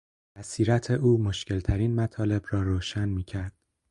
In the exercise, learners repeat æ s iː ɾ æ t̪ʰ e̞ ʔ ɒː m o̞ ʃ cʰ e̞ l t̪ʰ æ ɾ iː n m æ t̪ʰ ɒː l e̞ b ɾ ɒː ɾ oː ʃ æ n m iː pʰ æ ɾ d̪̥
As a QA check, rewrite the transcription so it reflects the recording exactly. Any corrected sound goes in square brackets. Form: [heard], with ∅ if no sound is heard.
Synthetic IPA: æ s iː ɾ æ t̪ʰ e̞ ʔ [uː] m o̞ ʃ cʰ e̞ l t̪ʰ æ ɾ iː n m æ t̪ʰ ɒː l e̞ b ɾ ɒː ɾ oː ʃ æ n m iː [cʰ] æ ɾ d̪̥